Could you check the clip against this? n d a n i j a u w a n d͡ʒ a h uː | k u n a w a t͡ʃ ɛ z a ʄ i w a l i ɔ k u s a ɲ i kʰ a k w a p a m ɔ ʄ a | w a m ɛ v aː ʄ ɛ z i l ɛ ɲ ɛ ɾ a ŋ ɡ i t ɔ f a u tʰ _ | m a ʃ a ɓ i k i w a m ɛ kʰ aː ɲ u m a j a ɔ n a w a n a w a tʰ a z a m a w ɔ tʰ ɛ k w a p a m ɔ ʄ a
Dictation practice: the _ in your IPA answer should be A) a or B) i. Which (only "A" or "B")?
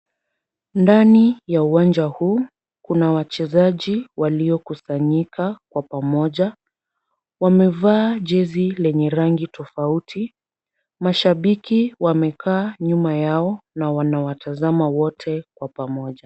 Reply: B